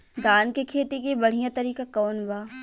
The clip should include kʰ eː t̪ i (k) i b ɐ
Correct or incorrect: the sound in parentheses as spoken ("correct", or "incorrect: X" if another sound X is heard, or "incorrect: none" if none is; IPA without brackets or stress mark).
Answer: correct